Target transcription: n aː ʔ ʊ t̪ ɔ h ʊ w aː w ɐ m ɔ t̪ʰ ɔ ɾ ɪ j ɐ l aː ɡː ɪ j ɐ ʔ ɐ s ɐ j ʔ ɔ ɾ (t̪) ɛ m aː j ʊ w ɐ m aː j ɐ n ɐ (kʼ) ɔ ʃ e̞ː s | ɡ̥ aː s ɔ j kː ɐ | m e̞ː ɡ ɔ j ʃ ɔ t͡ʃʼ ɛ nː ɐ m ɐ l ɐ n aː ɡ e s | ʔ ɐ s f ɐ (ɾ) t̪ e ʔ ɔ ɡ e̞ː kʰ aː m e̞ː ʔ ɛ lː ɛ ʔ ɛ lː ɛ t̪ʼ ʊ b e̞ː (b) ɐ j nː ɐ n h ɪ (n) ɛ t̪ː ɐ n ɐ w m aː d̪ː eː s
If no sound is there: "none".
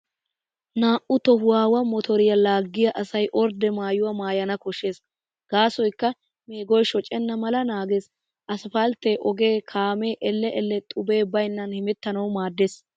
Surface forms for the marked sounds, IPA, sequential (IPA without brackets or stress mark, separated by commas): d̪, k, l, b, m